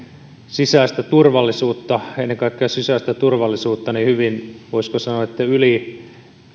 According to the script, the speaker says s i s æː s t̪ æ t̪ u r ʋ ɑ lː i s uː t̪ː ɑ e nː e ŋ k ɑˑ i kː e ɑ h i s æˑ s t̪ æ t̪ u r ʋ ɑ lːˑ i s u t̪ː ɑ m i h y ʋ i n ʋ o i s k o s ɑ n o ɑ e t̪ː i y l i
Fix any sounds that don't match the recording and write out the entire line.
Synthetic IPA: s i s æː s t̪ æ t̪ u r ʋ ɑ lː i s uː t̪ː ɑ e nː e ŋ k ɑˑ i kː e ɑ s i s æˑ s t̪ æ t̪ u r ʋ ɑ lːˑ i s uː t̪ː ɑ n i h y ʋ i n ʋ o i s k o s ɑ n o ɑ e t̪ː æ y l i

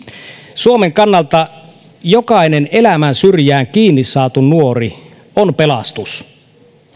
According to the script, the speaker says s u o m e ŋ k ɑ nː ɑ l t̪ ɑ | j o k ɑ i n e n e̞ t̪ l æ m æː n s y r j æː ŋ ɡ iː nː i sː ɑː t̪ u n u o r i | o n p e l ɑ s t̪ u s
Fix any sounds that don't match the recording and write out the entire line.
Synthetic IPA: s u o m e ŋ k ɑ nː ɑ l t̪ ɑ | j o k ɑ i n e n e̞ l æ m æ n s y r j æː ŋ k iː nː i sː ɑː t̪ u n u o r i | o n p e l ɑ s t̪ u s

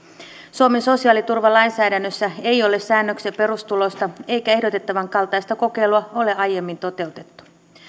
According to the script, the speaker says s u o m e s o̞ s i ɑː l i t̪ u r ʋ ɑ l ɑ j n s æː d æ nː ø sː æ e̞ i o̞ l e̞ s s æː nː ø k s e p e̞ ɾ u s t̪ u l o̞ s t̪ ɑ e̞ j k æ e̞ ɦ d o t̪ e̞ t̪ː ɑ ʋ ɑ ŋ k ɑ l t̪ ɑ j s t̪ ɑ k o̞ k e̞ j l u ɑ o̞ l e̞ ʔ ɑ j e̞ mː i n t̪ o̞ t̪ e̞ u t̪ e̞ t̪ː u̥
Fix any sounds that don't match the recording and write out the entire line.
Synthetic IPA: s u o m e s o̞ s i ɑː l i t̪ u r ʋ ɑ l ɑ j n s æː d æ nː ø sː æ e̞ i o̞ l e̞ s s æː nː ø k s e p e̞ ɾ u s t̪ u l o̞ s t̪ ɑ e̞ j k æ e̞ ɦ d o t̪ e̞ t̪ː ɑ ʋ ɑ ŋ k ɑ l t̪ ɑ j s t̪ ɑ k o̞ k e̞ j l u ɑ o̞ l e̞ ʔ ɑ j e̞ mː i n t̪ o̞ t̪ e̞ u t̪ e̞ t̪ː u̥

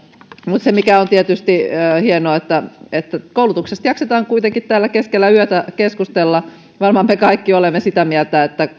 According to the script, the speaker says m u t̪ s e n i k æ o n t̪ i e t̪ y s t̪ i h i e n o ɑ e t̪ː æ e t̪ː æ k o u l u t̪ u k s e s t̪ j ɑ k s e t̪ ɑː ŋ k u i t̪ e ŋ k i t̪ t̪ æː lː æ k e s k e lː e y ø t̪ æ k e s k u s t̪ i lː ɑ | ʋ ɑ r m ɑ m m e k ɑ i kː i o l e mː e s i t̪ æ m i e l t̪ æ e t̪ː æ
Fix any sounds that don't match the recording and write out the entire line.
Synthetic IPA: m u t̪ s e m i k æ o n t̪ i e t̪ y s t̪ i h i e n o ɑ e t̪ː æ e t̪ː æ k o u l u t̪ u k s e s t̪ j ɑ k s e t̪ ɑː ŋ k u i t̪ e ŋ k i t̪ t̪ æː lː æ k e s k e lː æ y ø t̪ æ k e s k u s t̪ e lː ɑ | ʋ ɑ r m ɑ m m e k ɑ i kː i o l e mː e s i t̪ æ m i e l t̪ æ e t̪ː æ

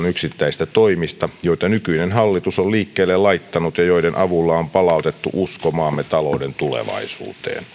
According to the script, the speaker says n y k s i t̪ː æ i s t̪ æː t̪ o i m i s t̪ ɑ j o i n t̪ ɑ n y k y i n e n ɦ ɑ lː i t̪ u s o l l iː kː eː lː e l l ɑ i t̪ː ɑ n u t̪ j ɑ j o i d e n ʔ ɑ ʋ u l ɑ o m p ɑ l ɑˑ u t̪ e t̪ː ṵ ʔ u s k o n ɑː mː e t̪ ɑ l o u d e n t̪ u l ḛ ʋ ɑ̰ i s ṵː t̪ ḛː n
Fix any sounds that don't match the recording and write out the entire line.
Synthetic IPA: n y k s i t̪ː æ i s t̪ æ t̪ o i m i s t̪ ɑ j o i t̪ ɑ n y k y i n e n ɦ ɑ lː i t̪ u s o l l iː kː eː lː e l l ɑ i t̪ː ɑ n u t̪ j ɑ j o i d e n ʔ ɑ ʋ u lː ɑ o m p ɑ l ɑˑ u t̪ e t̪ː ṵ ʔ u s k o m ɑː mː e t̪ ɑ l o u d e n t̪ u l ḛ ʋ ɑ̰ i s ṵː t̪ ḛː n

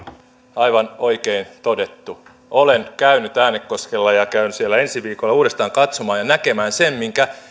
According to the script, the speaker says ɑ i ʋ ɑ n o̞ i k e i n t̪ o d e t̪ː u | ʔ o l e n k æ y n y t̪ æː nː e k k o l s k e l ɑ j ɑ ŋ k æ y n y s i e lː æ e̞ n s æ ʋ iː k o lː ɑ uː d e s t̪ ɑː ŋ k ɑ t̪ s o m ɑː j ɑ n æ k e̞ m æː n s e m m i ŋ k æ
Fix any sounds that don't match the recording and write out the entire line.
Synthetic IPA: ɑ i ʋ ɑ n o̞ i k e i n t̪ o d e t̪ː u | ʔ o l e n k æ y n y t̪ æː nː e k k o s k e lː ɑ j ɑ k æ y n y s i e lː æ e̞ n s i ʋ iː k o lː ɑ uː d e s t̪ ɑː ŋ k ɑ t̪ s o m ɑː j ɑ n æ k e̞ m æː n s e m m i ŋ k æ

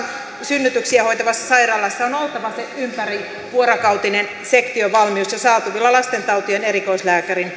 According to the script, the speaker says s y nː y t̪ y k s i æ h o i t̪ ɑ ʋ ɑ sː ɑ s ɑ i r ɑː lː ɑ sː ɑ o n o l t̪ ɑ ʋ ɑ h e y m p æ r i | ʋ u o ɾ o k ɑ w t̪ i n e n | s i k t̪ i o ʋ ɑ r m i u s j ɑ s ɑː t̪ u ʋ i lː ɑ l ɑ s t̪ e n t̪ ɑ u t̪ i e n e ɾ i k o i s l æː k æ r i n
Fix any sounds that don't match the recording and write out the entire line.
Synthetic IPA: s y nː y t̪ y k s i æ h o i t̪ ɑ ʋ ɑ sː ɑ s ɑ i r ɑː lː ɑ sː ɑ o n o l t̪ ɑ ʋ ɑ s e y m p æ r i | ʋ u o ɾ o k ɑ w t̪ i n e n | s e k t̪ i o ʋ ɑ l m i u s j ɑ s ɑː t̪ u ʋ i lː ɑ l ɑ s t̪ e n t̪ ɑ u t̪ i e n e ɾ i k o i s l æː k æ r i n

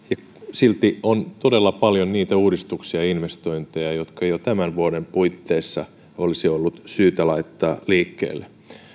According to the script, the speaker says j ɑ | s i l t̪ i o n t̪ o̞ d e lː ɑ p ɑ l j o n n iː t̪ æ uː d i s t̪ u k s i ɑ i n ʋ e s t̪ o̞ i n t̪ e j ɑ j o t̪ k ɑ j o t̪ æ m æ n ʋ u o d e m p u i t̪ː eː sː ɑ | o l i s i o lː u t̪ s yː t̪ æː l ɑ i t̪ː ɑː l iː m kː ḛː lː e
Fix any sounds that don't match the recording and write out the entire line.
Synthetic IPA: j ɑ | s i l t̪ i o n t̪ o̞ d e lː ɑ p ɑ l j o n n iː t̪ æ uː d i s t̪ u k s i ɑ i n ʋ e s t̪ o̞ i n t̪ e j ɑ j o t̪ k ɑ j o t̪ æ m æ n ʋ u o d e m p u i t̪ː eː sː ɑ | o l i s i o lː u t̪ s yː t̪ æ l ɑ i t̪ː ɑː l iː kː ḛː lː e

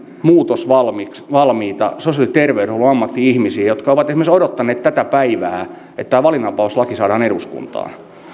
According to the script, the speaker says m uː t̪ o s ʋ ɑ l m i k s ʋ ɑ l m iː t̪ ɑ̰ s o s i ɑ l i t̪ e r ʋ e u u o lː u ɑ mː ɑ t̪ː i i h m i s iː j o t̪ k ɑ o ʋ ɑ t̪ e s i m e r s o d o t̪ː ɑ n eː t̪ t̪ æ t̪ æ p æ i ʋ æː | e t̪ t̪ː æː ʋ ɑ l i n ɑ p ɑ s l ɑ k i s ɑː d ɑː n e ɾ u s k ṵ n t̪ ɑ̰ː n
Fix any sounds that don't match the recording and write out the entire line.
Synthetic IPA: m uː t̪ o s ʋ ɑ l m i k s ʋ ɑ l m iː t̪ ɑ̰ s o s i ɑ l i t̪ e r ʋ e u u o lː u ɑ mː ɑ t̪ː i i h m i s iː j o t̪ k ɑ o ʋ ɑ t̪ e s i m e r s o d o t̪ː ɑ n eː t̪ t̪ æ t̪ æ p æ i ʋ æː | e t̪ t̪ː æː ʋ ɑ l i n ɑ p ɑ s l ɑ k i s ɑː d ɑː n e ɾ u s k ṵ n t̪ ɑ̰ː n

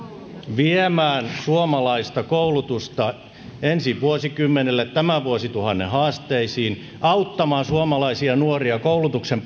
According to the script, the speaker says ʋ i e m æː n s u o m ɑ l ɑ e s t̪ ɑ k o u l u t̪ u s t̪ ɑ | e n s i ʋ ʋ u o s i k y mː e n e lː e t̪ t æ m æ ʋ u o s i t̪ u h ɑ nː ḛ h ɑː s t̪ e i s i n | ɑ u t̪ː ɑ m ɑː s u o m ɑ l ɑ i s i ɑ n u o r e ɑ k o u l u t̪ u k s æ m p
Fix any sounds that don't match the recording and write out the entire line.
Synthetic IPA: ʋ i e m æː n s u o m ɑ l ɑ i s t̪ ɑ k o u l u t̪ u s t̪ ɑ | e n s i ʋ ʋ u o s i k y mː e n e lː e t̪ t æ m æ ʋ u o s i t̪ u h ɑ nː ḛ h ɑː s t̪ e i s iː n | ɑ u t̪ː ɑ m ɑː s u o m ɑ l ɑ i s i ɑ n u o r i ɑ k o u l u t̪ u k s e m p

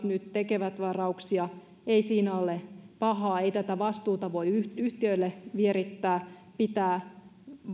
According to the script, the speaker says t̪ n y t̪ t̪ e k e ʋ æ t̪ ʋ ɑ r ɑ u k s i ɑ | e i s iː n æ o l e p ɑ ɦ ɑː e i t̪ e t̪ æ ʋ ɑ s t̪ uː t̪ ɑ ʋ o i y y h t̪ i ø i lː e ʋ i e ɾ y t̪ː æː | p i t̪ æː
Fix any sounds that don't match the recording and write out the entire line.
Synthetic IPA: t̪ n y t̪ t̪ e k e ʋ æ t̪ ʋ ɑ r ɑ u k s i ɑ | e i s iː n æ o l e p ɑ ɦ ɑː e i t̪ æ t̪ æ ʋ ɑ s t̪ uː t̪ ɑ ʋ o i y y h t̪ i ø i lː e ʋ i e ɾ i t̪ː æː | p i t̪ æː

